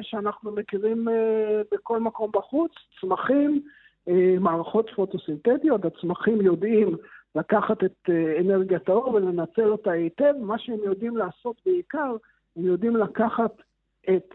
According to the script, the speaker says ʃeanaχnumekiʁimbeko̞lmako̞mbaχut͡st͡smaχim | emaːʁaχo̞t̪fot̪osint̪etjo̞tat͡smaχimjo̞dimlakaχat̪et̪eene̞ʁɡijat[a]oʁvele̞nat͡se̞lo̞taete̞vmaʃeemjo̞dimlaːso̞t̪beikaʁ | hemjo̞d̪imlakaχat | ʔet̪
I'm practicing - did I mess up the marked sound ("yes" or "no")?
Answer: no